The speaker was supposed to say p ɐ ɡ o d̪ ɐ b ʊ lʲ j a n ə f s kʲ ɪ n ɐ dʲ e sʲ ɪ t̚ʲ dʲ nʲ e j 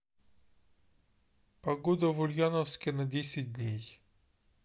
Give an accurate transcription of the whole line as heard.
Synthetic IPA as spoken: p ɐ ɡ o d̪ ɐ v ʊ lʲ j a n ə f s kʲ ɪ n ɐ dʲ e sʲ ɪ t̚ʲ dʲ nʲ e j